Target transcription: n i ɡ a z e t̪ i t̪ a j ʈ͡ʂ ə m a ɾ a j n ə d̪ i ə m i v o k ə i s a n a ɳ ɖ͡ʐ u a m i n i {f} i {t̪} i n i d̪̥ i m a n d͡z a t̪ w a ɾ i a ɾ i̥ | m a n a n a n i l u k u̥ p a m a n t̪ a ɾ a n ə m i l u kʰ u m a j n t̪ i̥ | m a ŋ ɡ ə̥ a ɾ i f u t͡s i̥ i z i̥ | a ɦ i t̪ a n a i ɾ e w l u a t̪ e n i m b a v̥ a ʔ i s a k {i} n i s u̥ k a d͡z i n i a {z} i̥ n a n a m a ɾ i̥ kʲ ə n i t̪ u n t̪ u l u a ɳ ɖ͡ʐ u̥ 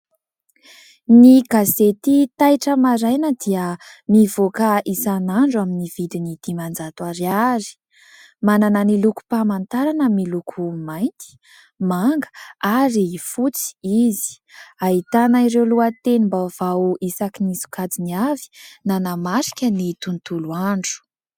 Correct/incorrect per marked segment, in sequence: incorrect: v, incorrect: d̪, correct, incorrect: v

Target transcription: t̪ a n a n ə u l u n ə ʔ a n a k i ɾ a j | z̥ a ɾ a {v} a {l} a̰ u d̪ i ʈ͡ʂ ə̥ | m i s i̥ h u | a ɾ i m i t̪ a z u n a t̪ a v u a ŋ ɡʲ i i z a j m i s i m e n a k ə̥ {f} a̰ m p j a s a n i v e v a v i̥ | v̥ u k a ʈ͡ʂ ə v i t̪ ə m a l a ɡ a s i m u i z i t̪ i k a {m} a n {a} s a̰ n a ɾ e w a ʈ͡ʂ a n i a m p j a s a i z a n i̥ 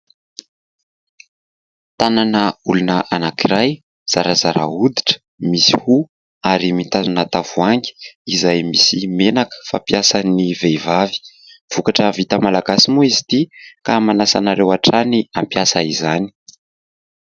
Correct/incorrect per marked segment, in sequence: incorrect: z, incorrect: ɾ, correct, correct, correct

